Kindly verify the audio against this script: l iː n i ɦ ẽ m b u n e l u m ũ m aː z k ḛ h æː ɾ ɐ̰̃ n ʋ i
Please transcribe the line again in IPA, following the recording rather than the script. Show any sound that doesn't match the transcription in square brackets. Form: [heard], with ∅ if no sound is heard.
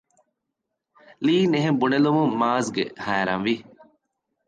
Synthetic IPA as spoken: l iː n [e] ɦ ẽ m b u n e l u m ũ m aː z [ɡ] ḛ h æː ɾ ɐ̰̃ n ʋ i